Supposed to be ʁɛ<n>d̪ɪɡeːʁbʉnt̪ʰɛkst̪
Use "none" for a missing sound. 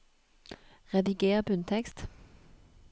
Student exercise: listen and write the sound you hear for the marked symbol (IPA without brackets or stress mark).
none